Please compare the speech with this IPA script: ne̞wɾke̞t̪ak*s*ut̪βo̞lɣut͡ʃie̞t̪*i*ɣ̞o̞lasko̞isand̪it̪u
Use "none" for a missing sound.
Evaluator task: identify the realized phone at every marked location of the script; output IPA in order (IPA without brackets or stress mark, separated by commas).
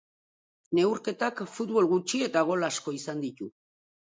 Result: f, a